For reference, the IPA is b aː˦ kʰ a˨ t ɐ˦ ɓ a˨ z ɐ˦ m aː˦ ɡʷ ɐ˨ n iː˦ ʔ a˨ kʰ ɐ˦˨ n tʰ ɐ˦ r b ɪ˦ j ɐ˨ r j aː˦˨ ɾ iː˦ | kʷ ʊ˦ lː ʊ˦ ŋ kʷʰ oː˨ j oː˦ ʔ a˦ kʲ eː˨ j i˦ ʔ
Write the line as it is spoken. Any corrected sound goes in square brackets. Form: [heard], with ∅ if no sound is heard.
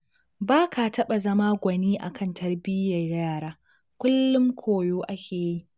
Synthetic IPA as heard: b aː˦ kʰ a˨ t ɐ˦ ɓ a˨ z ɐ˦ m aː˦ ɡʷ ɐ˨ n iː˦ ʔ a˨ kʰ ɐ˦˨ n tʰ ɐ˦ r b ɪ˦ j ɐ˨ r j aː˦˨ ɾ [aː˦] | kʷ ʊ˦ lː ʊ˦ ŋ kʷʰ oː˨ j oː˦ ʔ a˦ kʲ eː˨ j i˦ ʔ